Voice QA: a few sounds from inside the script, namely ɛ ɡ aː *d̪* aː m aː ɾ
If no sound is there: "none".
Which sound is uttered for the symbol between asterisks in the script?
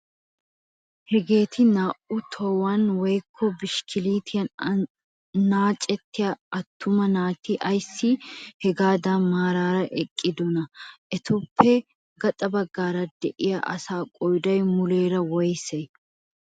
d̪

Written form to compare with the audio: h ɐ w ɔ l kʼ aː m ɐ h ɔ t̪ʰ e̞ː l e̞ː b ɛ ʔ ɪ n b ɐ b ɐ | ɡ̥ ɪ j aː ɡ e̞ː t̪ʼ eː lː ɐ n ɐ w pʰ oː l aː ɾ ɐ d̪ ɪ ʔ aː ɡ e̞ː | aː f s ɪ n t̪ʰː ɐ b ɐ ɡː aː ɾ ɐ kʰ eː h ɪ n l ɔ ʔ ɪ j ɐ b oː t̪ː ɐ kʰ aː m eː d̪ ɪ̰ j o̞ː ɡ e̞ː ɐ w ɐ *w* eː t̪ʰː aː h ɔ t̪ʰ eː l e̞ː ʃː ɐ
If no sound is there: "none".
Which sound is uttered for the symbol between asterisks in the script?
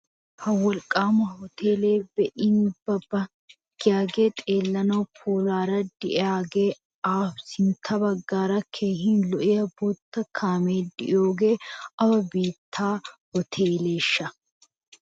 b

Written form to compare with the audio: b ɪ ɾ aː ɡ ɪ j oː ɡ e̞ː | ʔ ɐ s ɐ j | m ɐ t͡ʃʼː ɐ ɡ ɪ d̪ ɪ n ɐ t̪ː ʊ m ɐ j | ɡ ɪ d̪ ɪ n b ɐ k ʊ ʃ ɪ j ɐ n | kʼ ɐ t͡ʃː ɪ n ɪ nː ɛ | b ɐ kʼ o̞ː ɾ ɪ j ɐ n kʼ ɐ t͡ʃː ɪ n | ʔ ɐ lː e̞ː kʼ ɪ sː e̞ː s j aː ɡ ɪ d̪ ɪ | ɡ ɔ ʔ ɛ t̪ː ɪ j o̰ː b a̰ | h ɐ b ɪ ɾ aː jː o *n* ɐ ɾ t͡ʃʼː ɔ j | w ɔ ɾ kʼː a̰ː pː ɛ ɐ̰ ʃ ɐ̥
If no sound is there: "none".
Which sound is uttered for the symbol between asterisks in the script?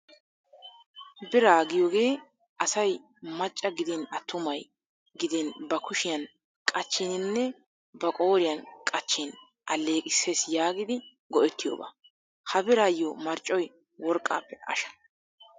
m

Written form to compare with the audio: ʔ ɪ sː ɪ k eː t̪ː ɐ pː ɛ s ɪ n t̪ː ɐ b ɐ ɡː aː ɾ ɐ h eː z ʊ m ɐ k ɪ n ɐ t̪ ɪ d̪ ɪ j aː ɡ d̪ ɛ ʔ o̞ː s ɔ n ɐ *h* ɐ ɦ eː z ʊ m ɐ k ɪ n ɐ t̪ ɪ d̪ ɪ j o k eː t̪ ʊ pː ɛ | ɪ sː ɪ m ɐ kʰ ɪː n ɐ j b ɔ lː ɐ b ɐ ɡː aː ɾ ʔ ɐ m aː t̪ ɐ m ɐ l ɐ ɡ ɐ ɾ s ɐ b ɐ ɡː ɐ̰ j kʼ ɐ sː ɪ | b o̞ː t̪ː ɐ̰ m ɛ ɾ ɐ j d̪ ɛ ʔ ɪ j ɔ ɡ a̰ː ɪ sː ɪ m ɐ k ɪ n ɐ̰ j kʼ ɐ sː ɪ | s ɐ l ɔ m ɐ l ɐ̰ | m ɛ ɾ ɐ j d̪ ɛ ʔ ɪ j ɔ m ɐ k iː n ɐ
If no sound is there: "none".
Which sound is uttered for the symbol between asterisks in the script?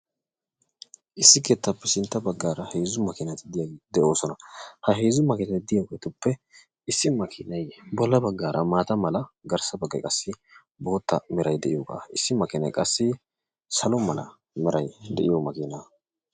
h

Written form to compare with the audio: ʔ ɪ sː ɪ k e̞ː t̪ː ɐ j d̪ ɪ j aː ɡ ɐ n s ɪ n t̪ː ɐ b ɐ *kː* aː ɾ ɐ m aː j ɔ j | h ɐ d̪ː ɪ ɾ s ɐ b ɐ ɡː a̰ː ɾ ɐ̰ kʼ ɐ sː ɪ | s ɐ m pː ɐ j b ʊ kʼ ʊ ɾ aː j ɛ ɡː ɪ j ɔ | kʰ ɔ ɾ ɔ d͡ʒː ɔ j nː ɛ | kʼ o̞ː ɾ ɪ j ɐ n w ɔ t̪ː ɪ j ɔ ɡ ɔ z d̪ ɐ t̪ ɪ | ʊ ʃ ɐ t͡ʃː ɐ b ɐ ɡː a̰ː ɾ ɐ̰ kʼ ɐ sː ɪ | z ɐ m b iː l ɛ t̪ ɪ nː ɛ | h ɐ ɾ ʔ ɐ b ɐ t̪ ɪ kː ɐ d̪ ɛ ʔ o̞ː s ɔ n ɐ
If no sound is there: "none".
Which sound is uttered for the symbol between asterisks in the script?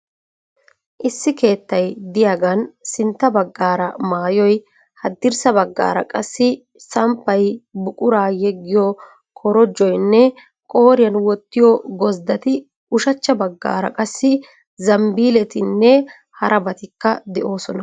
ɡː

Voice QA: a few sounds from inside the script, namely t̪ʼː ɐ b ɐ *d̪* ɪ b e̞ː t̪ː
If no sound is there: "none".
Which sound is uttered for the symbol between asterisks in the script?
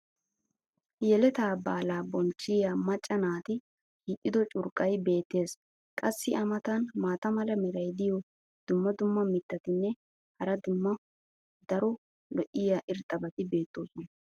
t̪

